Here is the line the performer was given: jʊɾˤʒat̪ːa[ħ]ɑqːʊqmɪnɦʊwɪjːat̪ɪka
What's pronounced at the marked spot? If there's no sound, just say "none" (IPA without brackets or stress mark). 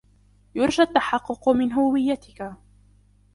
ħ